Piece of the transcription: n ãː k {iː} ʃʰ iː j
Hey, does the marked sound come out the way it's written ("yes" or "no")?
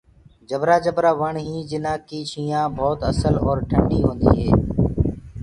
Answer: yes